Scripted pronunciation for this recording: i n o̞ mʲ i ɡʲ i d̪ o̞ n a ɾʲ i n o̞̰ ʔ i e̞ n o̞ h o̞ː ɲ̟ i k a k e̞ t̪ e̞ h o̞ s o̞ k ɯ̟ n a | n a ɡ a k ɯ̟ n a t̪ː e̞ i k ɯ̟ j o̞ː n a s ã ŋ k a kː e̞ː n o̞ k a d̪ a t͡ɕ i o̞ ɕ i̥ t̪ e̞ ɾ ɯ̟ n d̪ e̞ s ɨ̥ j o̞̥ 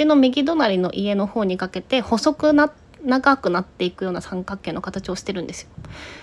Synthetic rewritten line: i n o̞ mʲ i ɡʲ i d̪ o̞ n a ɾʲ i n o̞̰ ʔ i e̞ n o̞ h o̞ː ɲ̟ i k a k e̞ t̪ e̞ h o̞ s o̞ k ɯ̟ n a | n a ɡ a k ɯ̟ n a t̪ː e̞ i k ɯ̟ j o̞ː n a s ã ŋ k a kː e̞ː n o̞ k a t̪ a t͡ɕ i o̞ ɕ i̥ t̪ e̞ ɾ ɯ̟ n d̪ e̞ s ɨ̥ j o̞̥